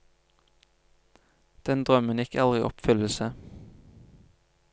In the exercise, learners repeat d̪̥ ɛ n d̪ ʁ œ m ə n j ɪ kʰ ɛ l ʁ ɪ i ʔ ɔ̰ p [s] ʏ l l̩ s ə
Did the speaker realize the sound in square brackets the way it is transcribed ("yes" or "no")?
no